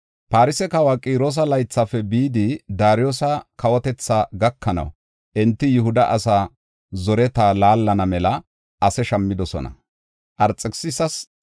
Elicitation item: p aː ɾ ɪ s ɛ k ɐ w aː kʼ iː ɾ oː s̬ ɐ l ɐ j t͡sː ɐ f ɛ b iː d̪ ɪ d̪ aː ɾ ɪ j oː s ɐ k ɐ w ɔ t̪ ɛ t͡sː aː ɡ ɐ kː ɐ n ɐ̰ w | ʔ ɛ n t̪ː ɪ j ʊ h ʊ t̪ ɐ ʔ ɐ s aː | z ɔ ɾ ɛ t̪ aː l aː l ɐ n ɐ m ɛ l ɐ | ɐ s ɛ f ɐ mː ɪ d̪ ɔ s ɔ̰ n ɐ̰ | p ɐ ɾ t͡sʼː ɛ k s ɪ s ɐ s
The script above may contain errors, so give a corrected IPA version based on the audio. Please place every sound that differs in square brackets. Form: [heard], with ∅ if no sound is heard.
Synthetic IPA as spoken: p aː ɾ ɪ s ɛ k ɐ w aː kʼ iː ɾ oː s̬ ɐ l ɐ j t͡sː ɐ f ɛ b iː d̪ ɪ d̪ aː ɾ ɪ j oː s ɐ k ɐ w ɔ t̪ ɛ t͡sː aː ɡ ɐ kː ɐ n ɐ̰ w | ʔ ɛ n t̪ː ɪ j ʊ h ʊ [d̪] ɐ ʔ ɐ s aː | z ɔ ɾ ɛ t̪ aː l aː [lː] ɐ n ɐ m ɛ l ɐ | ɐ s ɛ [ʃ] ɐ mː ɪ d̪ ɔ s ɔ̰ n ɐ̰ | [ʔ] ɐ ɾ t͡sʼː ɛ k s ɪ s ɐ s

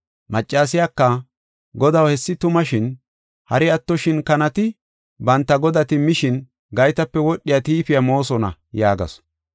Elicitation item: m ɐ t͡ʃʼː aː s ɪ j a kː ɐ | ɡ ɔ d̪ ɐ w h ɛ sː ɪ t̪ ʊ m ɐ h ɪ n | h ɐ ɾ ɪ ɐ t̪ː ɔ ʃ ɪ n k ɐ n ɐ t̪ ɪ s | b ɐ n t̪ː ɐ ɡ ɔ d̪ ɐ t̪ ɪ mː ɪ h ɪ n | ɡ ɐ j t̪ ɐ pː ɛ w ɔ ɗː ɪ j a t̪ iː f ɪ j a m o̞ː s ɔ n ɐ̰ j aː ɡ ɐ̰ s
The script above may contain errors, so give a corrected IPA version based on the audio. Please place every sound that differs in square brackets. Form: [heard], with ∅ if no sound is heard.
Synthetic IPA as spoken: m ɐ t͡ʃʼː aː s ɪ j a kː ɐ | ɡ ɔ d̪ ɐ w h ɛ sː ɪ t̪ ʊ m ɐ [ʃ] ɪ n | h ɐ ɾ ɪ ɐ t̪ː ɔ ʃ ɪ n k ɐ n ɐ t̪ ɪ [∅] | b ɐ n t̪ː ɐ ɡ ɔ d̪ ɐ t̪ ɪ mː ɪ [ʃ] ɪ n | ɡ ɐ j t̪ ɐ pː ɛ w ɔ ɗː ɪ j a t̪ iː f ɪ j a m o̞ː s ɔ n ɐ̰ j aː ɡ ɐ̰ s

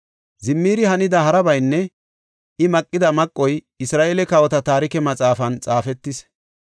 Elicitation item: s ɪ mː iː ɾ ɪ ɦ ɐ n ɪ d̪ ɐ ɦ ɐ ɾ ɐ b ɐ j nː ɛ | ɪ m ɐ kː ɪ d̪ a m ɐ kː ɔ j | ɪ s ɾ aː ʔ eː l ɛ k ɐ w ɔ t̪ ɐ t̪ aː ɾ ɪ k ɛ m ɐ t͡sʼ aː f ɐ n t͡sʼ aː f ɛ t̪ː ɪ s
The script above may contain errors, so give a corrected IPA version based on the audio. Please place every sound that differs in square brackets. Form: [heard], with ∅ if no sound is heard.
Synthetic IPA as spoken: [z] ɪ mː iː ɾ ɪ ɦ ɐ n ɪ d̪ ɐ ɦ ɐ ɾ ɐ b ɐ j nː ɛ | ɪ m ɐ [kʼː] ɪ d̪ [ɐ] m ɐ [kʼː] ɔ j | ɪ s ɾ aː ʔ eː l ɛ k ɐ w ɔ t̪ ɐ t̪ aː ɾ ɪ k ɛ m ɐ t͡sʼ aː f ɐ n t͡sʼ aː f ɛ t̪ː ɪ s

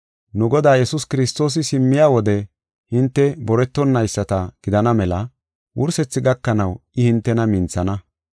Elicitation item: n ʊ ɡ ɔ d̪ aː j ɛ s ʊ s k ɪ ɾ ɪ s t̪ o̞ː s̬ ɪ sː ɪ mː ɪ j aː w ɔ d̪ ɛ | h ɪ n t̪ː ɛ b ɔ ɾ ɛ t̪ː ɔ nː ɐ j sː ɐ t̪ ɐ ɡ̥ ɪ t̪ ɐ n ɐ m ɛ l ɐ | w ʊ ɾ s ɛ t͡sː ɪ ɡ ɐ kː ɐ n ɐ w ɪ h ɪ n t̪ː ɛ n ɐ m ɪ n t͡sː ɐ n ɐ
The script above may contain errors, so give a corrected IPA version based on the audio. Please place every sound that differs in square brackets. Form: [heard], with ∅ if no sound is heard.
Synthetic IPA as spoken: n ʊ ɡ ɔ d̪ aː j ɛ s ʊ s k ɪ ɾ ɪ s t̪ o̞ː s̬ ɪ [s] ɪ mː ɪ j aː w ɔ d̪ ɛ | h ɪ n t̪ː ɛ b ɔ ɾ ɛ t̪ː ɔ nː ɐ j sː ɐ t̪ ɐ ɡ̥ ɪ [d̪] ɐ n ɐ m ɛ l ɐ | w ʊ ɾ s ɛ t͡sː ɪ ɡ ɐ kː ɐ n ɐ w ɪ h ɪ n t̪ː ɛ n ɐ m ɪ n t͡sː ɐ n ɐ

